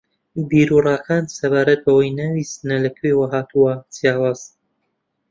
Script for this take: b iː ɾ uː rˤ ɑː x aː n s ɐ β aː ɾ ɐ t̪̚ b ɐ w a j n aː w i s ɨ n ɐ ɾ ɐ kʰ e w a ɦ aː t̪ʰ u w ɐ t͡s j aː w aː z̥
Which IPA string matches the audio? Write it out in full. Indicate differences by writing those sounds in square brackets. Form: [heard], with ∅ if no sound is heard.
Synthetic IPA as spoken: b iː ɾ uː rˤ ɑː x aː n s ɐ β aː ɾ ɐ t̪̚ b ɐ w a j n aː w i s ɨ n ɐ [l] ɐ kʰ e w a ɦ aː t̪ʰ u w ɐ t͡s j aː w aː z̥